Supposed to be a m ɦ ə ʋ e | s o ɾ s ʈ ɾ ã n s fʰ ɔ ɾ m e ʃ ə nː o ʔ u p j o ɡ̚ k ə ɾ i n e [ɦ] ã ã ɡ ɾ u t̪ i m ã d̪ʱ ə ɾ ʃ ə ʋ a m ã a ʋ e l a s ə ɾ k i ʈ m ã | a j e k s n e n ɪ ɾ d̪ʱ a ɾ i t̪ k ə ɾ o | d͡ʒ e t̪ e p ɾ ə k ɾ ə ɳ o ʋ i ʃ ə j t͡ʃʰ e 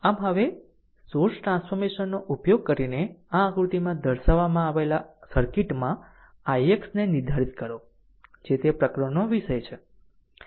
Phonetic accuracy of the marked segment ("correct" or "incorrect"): incorrect